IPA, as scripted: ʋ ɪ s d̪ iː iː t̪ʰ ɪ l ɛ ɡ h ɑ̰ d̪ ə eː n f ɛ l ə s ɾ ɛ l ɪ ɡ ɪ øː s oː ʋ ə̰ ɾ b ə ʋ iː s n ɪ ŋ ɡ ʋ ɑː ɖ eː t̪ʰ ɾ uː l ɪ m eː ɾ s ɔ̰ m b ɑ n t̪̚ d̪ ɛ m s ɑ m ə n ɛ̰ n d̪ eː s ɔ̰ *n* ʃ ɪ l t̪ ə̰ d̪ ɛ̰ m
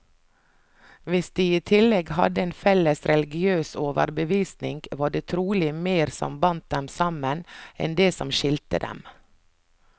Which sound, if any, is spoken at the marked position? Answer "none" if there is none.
m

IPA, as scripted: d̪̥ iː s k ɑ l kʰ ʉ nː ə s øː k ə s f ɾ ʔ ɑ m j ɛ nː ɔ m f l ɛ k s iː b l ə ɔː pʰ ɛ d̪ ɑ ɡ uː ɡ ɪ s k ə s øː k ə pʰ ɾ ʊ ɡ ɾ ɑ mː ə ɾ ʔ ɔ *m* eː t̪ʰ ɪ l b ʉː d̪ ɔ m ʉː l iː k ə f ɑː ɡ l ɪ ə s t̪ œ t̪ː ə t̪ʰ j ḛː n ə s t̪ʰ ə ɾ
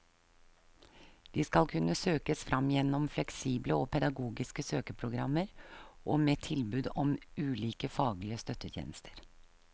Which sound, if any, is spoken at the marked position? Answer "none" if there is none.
m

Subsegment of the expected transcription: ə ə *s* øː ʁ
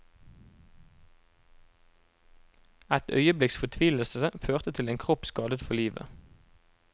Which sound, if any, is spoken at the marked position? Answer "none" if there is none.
f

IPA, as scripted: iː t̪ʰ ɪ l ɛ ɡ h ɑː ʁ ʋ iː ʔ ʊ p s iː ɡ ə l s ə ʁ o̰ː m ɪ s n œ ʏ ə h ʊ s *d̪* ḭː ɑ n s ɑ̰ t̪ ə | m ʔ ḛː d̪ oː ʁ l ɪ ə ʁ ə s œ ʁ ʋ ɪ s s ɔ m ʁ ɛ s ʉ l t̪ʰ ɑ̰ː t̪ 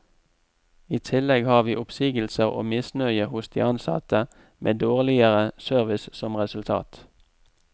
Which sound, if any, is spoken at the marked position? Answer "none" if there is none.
d̪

